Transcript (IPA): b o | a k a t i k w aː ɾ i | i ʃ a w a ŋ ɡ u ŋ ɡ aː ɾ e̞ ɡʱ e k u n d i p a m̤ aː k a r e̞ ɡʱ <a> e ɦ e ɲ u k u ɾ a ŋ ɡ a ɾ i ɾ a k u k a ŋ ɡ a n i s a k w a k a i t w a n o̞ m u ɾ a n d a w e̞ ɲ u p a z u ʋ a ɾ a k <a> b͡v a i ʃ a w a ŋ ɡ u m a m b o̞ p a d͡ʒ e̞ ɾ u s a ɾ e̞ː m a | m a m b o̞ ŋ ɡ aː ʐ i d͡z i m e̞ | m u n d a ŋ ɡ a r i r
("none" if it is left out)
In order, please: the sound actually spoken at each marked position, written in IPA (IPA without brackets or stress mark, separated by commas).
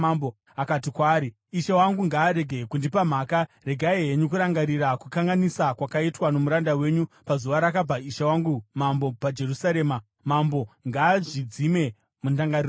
a, a